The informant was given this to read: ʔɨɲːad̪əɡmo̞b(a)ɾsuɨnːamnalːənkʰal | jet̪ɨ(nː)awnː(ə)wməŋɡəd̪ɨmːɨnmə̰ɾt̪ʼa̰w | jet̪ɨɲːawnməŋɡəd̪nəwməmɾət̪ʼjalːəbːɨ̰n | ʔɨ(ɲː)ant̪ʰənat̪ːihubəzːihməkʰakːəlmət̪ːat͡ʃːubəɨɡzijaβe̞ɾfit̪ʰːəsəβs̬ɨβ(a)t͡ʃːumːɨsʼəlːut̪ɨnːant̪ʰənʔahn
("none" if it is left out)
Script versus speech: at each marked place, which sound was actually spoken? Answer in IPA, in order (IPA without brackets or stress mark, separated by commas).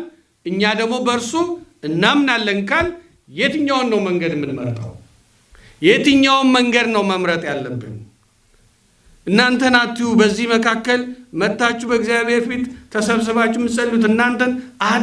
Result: ə, ɲː, ə, nː, a